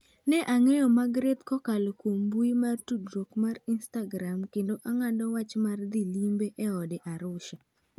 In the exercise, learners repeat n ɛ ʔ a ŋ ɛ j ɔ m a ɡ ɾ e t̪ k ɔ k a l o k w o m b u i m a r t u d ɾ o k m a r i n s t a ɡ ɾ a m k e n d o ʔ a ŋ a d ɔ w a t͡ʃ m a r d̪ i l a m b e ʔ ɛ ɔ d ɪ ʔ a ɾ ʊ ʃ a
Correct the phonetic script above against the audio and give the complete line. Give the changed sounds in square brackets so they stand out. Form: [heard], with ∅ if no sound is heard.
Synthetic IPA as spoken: n ɛ ʔ a ŋ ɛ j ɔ m a ɡ ɾ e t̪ k ɔ k a l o k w o m b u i m a r t u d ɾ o k m a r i n s t a ɡ ɾ a m k e n d o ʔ a ŋ a d ɔ w a t͡ʃ m a r d̪ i l [i] m b e ʔ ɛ ɔ d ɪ ʔ a ɾ ʊ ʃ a